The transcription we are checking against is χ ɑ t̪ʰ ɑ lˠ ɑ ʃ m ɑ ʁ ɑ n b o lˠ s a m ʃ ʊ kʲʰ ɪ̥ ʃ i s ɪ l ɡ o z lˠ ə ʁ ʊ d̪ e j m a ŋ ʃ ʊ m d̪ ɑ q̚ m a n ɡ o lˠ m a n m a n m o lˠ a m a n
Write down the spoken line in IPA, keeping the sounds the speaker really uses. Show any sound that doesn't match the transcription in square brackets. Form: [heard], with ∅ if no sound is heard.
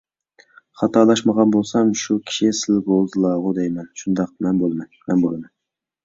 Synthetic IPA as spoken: χ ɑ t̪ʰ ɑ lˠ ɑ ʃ m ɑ ʁ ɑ n b o lˠ s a m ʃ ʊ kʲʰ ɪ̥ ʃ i s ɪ l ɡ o z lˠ [ɑ] ʁ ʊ d̪ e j m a [n] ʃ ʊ [n] d̪ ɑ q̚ m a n [b] o lˠ m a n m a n [b] o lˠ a m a n

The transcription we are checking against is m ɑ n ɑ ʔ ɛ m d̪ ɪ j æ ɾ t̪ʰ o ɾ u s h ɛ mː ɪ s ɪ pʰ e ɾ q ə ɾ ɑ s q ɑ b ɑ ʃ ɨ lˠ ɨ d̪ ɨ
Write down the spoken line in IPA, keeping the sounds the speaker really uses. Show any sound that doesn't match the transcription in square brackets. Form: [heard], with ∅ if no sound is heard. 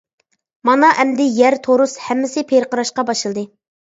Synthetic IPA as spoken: m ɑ n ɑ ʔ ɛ m d̪ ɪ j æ ɾ t̪ʰ o ɾ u s h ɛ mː ɪ s ɪ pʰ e ɾ q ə ɾ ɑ [ʃ] q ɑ b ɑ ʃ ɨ lˠ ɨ d̪ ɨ

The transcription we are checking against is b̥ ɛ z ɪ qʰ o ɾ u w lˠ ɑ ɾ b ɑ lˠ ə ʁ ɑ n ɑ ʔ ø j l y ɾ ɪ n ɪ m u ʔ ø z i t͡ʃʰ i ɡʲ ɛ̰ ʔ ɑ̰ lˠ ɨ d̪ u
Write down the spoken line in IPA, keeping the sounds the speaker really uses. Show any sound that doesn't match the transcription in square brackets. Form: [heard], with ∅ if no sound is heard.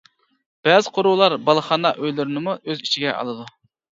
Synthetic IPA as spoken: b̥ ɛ z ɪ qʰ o ɾ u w lˠ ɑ ɾ b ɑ lˠ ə [χ] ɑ n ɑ ʔ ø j l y ɾ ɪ n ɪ m u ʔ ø z i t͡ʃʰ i ɡʲ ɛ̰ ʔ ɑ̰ lˠ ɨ d̪ u

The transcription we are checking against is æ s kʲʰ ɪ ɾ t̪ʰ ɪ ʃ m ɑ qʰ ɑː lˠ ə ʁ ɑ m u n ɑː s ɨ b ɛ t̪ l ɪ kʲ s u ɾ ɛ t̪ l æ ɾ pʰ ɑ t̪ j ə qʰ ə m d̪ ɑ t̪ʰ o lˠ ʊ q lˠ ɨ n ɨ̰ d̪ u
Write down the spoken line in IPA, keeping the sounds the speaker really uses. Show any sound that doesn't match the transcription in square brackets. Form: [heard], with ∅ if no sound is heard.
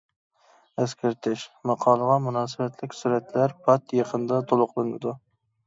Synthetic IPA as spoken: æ s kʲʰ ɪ ɾ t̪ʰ ɪ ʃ m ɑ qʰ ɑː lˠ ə ʁ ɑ m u n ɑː s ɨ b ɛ t̪ l ɪ kʲ s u ɾ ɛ t̪ l æ ɾ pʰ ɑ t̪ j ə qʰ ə [n] d̪ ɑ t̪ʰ o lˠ ʊ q lˠ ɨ n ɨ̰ d̪ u

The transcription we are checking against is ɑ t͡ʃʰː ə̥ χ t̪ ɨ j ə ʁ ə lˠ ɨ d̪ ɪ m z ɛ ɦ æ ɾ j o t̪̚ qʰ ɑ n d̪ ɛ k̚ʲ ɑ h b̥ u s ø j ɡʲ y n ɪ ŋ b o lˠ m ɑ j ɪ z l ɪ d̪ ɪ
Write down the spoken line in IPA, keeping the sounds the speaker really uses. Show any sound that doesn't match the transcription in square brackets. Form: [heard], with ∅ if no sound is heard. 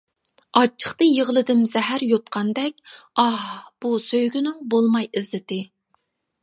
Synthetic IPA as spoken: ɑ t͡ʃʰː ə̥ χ t̪ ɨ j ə ʁ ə lˠ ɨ d̪ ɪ m z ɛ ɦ æ ɾ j o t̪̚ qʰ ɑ n d̪ ɛ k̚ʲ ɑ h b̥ u s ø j ɡʲ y n ɪ ŋ b o lˠ m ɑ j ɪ z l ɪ [t̪] ɪ

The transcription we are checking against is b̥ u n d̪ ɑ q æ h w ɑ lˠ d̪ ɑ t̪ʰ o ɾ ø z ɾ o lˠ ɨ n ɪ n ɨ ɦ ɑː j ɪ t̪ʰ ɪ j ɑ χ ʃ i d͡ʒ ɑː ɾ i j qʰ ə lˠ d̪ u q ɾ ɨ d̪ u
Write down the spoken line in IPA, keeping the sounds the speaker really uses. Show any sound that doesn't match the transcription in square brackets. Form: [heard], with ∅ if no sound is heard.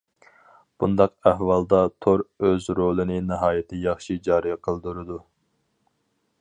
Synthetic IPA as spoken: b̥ u n d̪ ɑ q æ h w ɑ lˠ d̪ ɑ t̪ʰ o ɾ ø z ɾ o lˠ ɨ n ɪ n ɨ ɦ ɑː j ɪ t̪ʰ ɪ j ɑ χ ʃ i d͡ʒ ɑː ɾ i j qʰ ə lˠ d̪ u [∅] ɾ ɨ d̪ u

